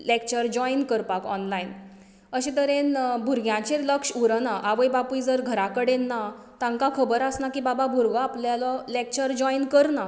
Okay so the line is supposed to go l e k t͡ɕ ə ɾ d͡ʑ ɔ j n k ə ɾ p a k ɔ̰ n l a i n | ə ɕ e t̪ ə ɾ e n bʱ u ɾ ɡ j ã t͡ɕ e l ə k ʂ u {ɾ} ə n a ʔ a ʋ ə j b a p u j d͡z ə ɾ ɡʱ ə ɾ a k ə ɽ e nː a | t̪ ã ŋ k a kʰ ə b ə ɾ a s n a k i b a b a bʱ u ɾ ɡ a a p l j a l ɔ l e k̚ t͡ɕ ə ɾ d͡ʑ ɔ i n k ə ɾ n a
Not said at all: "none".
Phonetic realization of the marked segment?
ɾ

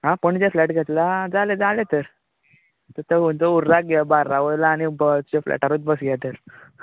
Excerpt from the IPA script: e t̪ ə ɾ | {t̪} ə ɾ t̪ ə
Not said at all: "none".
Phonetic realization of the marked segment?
t̪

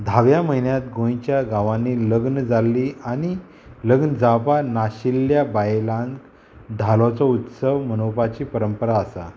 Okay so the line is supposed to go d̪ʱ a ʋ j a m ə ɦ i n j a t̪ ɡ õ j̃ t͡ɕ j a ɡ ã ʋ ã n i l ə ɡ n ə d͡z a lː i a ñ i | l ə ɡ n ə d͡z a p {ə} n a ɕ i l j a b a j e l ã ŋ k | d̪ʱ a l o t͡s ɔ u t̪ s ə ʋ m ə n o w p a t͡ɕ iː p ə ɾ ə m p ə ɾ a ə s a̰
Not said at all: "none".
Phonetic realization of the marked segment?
a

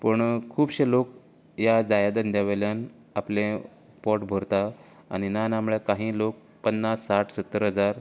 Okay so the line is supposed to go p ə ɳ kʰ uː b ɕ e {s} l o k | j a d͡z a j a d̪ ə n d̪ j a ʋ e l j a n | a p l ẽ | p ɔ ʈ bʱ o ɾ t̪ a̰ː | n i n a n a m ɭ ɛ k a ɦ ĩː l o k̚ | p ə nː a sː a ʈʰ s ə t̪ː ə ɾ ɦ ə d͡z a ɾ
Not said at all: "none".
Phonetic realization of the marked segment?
none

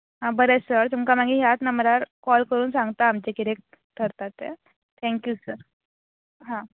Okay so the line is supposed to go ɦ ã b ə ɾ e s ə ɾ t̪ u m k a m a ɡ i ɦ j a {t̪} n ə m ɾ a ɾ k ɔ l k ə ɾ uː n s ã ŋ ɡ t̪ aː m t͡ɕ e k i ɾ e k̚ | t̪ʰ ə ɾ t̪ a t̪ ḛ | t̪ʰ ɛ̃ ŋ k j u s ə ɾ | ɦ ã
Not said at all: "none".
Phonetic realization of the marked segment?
t̪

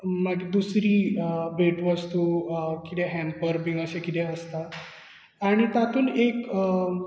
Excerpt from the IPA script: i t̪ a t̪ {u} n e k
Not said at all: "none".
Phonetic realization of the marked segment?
uː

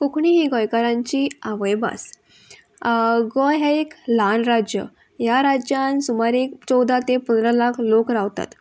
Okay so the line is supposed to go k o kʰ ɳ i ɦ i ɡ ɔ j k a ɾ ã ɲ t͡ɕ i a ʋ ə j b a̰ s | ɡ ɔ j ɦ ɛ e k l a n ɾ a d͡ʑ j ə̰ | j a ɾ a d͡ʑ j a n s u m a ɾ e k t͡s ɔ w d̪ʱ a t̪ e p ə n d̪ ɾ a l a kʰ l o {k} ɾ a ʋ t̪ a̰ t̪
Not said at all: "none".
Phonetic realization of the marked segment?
k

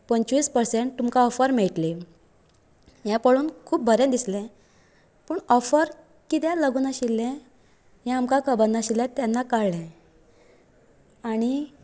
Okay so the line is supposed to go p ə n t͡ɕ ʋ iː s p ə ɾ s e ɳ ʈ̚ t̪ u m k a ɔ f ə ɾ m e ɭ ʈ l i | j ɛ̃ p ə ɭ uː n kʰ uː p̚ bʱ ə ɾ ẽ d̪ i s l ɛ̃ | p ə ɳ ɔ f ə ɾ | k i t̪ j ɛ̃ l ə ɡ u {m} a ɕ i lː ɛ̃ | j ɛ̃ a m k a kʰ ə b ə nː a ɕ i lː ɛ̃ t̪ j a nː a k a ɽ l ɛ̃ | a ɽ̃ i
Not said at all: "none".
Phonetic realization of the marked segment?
n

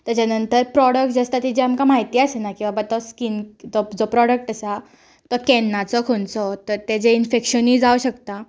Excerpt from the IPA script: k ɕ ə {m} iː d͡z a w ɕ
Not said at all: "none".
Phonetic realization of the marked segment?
n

